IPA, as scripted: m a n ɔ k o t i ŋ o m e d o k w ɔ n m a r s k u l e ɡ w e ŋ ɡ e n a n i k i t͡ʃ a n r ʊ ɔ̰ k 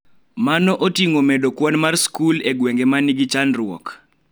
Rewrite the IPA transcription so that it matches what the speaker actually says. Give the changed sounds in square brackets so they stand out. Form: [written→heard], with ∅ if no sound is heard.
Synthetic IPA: m a n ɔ [k→ʔ] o t i ŋ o m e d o k w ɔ n m a r s k u l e ɡ w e ŋ ɡ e [n→m] a n i [k→ɡ] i t͡ʃ a n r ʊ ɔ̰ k